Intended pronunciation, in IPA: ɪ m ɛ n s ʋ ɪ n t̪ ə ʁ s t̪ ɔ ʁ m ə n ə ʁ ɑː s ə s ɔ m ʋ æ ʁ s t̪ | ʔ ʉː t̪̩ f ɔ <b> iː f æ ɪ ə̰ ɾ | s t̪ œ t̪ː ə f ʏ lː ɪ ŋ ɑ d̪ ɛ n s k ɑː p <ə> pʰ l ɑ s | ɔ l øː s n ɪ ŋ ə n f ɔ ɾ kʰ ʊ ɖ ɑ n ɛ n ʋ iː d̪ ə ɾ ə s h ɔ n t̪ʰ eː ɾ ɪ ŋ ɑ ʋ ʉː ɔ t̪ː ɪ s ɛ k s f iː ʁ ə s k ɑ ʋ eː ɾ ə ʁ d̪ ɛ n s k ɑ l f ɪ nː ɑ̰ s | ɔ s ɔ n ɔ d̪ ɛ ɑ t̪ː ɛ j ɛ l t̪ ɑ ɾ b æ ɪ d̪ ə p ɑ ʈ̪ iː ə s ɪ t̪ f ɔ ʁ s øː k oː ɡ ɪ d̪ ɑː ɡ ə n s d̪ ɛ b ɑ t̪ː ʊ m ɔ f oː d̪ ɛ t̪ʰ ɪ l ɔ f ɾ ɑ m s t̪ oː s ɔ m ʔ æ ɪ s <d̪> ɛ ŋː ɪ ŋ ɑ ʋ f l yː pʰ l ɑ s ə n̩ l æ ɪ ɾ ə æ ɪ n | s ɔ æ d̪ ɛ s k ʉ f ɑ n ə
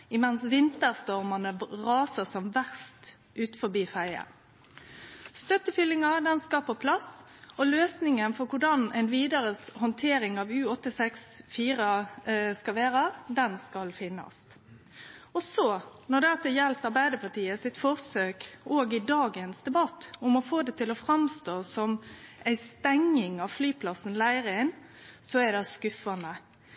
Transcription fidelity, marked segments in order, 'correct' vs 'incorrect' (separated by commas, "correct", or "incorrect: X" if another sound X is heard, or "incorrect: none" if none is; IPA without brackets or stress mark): correct, correct, incorrect: t̪